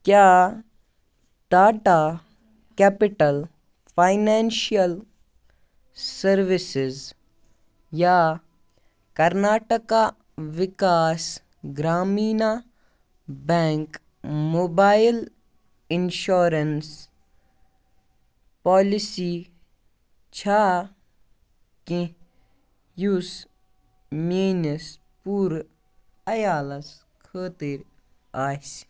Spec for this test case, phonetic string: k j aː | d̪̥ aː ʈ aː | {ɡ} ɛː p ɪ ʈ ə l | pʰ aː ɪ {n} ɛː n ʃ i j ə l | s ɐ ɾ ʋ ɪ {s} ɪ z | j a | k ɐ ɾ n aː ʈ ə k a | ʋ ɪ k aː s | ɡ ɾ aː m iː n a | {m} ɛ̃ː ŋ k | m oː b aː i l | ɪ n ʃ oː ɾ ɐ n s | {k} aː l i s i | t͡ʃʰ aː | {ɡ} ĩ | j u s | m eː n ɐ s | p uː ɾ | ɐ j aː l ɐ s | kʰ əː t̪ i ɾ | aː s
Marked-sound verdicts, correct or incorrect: incorrect: k, correct, correct, incorrect: b, incorrect: p, incorrect: k

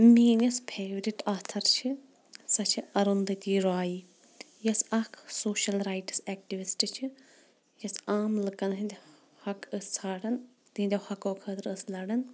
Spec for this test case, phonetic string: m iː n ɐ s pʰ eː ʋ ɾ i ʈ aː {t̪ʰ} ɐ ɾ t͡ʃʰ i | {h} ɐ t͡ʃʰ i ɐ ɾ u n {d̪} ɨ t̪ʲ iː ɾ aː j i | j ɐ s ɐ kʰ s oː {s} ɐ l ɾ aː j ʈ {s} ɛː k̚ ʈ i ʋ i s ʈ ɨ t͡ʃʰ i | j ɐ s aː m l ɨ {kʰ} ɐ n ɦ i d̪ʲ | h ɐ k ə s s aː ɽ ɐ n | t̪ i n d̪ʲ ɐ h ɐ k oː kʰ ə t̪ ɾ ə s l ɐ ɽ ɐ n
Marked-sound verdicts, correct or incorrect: correct, incorrect: s, correct, incorrect: ʃ, correct, incorrect: k

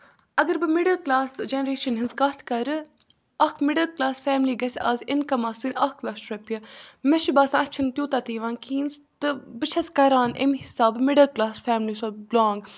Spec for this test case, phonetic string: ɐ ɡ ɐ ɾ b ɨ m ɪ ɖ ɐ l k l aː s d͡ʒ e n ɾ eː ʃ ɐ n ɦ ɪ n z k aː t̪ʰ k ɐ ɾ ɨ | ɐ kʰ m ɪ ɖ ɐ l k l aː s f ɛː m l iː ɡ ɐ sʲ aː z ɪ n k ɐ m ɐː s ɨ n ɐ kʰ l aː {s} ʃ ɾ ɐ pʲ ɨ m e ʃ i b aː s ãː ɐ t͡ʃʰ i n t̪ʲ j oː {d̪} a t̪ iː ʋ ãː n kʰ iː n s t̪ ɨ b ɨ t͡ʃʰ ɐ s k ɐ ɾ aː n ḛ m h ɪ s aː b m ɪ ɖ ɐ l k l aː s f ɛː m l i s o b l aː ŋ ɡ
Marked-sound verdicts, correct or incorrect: correct, incorrect: t̪

